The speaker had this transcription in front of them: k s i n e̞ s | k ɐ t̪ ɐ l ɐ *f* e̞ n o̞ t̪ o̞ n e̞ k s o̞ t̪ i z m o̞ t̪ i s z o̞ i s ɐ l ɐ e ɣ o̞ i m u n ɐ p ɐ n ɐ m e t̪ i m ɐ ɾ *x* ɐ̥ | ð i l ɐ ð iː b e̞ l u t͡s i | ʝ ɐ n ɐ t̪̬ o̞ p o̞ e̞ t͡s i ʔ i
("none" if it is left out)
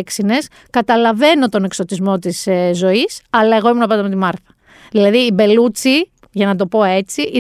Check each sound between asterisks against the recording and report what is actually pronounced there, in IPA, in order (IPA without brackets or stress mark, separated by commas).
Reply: v, θ